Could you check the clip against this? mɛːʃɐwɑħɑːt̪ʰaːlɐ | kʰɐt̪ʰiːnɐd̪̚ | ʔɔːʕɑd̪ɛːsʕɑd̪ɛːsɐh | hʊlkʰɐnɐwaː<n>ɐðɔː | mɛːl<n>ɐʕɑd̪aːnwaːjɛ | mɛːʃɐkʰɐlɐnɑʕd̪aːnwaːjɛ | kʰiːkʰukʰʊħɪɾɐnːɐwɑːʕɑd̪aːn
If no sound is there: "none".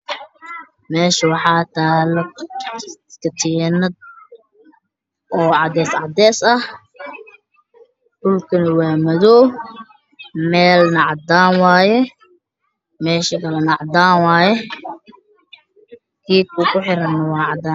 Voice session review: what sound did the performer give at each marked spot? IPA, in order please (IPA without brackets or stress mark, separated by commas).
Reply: m, n